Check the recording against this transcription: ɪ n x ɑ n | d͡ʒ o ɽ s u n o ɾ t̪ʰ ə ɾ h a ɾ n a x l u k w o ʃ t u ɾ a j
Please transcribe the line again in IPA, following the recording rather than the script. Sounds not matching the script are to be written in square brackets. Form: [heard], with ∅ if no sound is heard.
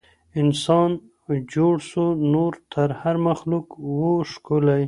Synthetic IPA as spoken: ɪ n [s] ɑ n | d͡ʒ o ɽ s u n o ɾ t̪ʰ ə ɾ h a ɾ [m] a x l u k w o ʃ [k] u [l] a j